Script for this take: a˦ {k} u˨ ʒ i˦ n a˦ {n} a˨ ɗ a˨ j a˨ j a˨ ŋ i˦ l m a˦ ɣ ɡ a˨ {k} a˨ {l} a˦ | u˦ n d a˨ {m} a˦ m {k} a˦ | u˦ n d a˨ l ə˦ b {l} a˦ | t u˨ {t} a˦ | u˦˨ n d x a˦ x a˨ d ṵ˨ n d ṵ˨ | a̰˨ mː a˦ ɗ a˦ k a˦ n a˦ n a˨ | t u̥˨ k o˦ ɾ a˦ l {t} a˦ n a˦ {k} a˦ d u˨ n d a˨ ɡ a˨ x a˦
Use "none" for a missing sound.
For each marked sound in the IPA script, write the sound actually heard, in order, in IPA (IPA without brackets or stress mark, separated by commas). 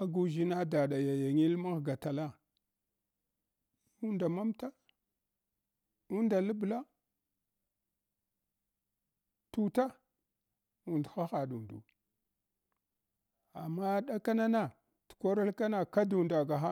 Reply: ɡ, d, t, l, m, t, l, t, k, k